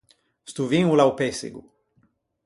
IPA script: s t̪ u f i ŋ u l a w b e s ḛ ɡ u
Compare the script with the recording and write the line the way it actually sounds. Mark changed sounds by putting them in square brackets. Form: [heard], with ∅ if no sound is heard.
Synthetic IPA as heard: s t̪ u [v] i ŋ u l a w [p] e s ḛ ɡ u